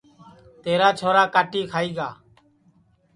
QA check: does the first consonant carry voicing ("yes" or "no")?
no